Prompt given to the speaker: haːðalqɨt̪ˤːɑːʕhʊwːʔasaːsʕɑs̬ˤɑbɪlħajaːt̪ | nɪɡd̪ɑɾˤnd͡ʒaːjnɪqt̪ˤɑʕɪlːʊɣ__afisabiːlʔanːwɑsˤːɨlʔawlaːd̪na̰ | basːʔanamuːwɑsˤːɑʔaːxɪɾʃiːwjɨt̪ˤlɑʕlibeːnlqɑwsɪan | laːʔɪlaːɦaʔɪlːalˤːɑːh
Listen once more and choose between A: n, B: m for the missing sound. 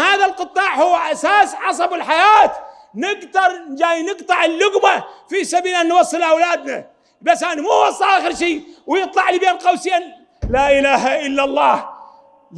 B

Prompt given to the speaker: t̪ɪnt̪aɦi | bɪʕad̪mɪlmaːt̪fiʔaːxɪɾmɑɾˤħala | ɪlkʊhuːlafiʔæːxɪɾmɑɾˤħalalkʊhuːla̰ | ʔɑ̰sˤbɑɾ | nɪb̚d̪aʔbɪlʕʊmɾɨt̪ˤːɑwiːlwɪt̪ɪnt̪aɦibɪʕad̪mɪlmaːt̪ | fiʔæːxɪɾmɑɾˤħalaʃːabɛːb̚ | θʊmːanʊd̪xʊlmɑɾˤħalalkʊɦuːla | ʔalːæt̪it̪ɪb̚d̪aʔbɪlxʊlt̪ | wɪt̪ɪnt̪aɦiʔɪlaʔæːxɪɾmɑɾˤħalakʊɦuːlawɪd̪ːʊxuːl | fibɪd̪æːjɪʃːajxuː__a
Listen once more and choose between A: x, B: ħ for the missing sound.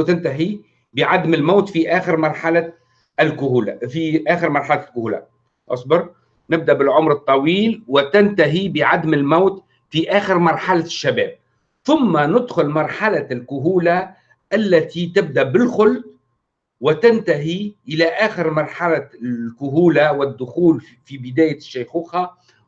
A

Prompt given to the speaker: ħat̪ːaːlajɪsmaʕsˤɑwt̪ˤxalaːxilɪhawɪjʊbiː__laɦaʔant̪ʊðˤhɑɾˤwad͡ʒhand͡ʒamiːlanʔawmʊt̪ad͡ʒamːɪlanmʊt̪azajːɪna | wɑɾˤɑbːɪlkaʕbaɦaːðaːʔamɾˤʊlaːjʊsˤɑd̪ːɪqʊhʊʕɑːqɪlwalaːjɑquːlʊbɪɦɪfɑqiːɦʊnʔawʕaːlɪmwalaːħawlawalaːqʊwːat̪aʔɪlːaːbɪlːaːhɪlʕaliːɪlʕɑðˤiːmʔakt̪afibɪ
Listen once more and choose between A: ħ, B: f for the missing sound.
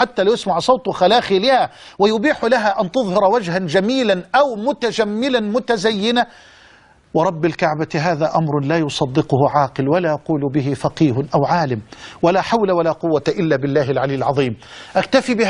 A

